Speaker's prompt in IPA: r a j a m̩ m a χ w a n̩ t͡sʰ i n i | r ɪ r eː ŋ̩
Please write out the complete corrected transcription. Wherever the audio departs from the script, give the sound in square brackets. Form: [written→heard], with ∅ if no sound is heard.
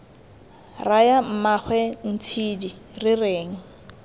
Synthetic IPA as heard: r a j a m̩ m a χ w [a→ɛ] n̩ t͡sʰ i [n→d] i | r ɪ r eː ŋ̩